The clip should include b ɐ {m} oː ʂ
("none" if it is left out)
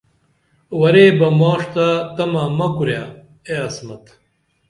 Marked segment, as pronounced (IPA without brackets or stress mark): m